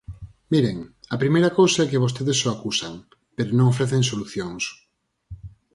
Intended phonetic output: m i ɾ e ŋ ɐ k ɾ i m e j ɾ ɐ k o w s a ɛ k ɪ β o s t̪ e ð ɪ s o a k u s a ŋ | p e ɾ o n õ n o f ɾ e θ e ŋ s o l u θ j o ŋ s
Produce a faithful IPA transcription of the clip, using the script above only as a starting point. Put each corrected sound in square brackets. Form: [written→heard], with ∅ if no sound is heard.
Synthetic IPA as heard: m i ɾ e ŋ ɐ [k→p] ɾ i m e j ɾ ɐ k o w s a ɛ k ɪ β o s t̪ e ð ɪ s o a k u s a ŋ | p e ɾ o n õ [n→ŋ] o f ɾ e θ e ŋ s o l u θ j o ŋ s